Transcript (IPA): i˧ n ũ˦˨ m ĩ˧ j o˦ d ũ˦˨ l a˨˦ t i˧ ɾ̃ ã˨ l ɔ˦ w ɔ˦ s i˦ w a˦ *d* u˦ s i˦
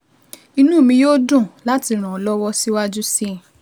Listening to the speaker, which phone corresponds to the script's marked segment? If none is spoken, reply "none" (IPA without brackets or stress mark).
d͡ʒ